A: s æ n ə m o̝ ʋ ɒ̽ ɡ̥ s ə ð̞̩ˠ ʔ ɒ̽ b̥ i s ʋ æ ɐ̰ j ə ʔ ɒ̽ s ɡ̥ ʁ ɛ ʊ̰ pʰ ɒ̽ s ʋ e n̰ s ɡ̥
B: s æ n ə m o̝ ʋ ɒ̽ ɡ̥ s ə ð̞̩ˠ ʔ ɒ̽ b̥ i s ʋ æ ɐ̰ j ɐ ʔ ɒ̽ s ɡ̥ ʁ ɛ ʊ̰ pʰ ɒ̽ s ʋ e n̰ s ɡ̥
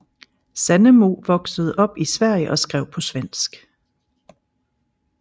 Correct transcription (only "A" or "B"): A